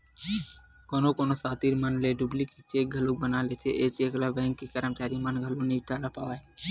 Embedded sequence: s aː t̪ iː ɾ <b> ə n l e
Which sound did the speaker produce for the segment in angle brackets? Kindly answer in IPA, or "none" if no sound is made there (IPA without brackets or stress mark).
m